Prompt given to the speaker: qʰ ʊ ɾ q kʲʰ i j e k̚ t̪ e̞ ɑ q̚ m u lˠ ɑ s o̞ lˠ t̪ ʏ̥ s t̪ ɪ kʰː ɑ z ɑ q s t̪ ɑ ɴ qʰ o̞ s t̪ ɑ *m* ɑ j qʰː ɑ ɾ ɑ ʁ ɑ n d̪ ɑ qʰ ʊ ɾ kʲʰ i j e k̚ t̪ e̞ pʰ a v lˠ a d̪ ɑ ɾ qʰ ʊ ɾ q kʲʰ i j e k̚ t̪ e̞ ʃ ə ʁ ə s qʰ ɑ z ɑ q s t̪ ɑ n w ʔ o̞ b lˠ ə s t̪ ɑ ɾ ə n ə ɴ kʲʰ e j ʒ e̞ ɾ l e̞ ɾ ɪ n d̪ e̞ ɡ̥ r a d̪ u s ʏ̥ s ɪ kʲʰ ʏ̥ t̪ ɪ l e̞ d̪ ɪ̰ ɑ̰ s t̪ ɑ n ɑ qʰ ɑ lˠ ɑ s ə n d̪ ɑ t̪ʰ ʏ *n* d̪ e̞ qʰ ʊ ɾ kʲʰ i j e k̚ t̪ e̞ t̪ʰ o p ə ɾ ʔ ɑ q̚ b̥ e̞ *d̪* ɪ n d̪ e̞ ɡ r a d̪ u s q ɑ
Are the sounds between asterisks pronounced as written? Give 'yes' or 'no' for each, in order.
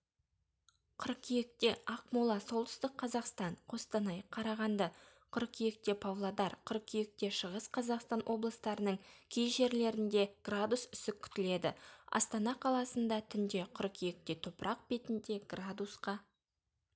no, yes, no

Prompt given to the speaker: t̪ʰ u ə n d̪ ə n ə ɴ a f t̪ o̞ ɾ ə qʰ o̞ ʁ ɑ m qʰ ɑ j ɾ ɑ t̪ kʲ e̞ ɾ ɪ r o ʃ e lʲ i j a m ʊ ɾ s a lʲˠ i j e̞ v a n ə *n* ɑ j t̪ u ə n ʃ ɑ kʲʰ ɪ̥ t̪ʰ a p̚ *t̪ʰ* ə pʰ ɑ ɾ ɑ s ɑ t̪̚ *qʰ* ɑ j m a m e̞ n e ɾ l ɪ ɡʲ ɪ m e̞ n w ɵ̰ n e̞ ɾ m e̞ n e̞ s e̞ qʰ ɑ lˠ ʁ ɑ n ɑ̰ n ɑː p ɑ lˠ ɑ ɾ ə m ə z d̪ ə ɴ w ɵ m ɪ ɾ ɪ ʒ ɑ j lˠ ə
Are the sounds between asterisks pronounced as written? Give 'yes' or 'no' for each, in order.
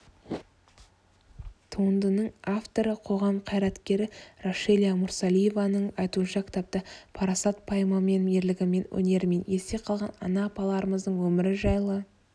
no, no, no

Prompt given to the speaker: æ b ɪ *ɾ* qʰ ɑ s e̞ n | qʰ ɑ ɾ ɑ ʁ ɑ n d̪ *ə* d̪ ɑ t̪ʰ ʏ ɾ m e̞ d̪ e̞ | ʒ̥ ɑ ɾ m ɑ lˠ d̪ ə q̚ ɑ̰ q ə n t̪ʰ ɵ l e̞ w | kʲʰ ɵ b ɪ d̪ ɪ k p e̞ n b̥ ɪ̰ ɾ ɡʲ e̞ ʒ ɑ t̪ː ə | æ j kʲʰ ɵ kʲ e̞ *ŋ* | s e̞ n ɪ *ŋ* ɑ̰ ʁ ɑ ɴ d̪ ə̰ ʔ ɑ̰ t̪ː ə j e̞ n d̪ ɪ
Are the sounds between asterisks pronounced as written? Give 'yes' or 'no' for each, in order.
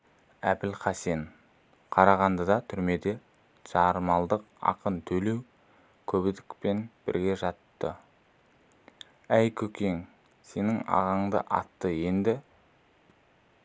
no, yes, yes, yes

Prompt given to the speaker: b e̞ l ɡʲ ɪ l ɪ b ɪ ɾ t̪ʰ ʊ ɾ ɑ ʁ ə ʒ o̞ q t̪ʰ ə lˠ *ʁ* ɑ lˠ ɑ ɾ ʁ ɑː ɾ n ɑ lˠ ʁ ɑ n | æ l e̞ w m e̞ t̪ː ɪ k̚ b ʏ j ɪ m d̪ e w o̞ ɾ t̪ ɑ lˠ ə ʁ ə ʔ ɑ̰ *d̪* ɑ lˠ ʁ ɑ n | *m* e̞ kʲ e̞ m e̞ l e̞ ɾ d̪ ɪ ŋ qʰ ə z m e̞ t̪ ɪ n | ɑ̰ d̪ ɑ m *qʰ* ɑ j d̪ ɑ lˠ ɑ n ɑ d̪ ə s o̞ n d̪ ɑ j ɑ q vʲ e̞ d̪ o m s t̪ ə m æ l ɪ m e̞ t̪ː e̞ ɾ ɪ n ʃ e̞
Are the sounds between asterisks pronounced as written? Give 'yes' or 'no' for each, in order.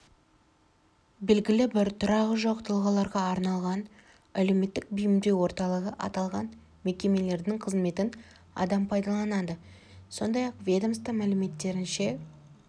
yes, no, yes, no

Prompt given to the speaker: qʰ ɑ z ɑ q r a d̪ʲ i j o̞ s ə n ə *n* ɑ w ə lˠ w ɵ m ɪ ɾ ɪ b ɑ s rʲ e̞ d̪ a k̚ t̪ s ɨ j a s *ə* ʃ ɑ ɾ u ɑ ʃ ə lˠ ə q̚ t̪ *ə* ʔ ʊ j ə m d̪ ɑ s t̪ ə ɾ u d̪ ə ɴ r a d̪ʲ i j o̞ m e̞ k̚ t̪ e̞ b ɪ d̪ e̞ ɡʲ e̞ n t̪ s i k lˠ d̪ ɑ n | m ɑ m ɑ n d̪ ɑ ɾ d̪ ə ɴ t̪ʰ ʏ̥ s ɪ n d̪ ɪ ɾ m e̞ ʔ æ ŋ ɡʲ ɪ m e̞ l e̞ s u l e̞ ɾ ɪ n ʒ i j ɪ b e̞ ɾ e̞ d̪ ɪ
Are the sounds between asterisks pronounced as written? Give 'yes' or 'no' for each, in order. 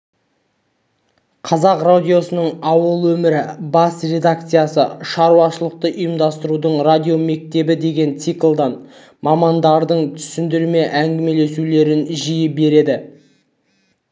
no, yes, yes

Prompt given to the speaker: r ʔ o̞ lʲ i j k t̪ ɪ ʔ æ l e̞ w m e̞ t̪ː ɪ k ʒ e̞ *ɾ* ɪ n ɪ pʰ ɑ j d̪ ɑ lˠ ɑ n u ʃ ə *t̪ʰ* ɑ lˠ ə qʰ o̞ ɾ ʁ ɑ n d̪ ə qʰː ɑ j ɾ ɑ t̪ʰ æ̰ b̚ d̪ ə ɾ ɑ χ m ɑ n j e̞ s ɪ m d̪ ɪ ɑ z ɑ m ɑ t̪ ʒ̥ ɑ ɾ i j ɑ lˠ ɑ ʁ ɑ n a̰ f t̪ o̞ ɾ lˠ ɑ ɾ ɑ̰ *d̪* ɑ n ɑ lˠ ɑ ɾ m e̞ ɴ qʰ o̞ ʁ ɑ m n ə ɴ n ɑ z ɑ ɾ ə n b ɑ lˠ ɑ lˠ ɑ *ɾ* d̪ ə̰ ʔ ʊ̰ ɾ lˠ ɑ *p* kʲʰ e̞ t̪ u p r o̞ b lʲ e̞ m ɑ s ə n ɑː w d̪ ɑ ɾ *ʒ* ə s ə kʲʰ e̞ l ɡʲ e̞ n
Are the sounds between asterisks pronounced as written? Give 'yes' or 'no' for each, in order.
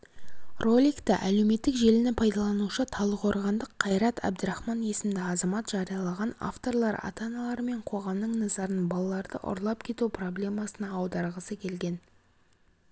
no, yes, no, yes, yes, no

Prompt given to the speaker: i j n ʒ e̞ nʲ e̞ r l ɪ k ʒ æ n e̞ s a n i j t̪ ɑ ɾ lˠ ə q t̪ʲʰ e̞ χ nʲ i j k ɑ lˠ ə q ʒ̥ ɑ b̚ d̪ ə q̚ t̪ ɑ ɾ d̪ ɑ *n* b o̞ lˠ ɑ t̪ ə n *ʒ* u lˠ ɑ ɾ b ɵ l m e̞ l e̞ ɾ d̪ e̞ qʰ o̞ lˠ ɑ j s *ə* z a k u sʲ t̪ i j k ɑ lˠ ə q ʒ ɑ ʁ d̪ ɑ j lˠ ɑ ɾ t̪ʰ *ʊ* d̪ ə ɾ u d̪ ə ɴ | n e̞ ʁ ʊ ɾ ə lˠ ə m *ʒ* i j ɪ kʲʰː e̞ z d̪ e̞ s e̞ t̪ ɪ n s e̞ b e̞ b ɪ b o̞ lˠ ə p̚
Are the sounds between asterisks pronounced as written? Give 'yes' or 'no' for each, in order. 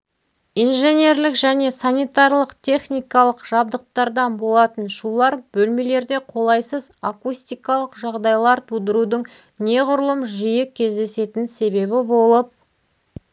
yes, no, yes, no, yes

